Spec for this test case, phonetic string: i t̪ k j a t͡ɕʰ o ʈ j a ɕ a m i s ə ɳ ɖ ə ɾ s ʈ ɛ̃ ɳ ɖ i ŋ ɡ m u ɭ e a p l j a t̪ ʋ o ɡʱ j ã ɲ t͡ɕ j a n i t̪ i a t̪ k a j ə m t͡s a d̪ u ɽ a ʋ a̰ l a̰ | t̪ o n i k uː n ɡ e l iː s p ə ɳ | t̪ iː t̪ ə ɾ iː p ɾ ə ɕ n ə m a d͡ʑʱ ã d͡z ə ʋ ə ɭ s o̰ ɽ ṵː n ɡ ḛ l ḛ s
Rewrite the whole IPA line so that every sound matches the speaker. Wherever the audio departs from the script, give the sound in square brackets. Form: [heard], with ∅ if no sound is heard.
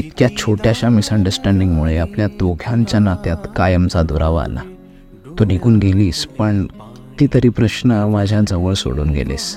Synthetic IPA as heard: i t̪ k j a t͡ɕʰ o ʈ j a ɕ a m i s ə ɳ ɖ ə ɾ s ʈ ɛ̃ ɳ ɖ i ŋ ɡ m u ɭ e a p l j a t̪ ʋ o ɡʱ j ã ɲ t͡ɕ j a n [a] t̪ [j] a t̪ k a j ə m t͡s a d̪ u [ɾ] a ʋ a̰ l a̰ | t̪ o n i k uː n ɡ e l iː s p ə ɳ | t̪ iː t̪ ə ɾ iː p ɾ ə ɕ n ə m a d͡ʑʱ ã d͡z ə ʋ ə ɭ s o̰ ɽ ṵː n ɡ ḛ l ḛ s